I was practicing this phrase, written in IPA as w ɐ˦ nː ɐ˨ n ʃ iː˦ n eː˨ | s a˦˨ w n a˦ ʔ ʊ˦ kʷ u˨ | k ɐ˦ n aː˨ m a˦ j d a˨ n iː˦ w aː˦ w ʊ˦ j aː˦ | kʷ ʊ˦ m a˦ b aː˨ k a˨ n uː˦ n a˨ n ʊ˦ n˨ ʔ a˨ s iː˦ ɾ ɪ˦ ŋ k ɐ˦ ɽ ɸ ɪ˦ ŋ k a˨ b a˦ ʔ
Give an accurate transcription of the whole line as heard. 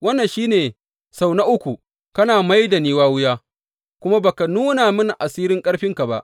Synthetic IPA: w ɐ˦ nː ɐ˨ n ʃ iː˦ n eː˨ | s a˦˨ w n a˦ ʔ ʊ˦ kʷ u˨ | k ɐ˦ n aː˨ m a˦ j d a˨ n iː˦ w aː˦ w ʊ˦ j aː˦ | kʷ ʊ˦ m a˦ b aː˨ k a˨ n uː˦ n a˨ m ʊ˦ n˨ ʔ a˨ s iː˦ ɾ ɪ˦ ŋ kʼ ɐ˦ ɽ ɸ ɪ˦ ŋ k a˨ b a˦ ʔ